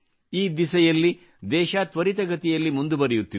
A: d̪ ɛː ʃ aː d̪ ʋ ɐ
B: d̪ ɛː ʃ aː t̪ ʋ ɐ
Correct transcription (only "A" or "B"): B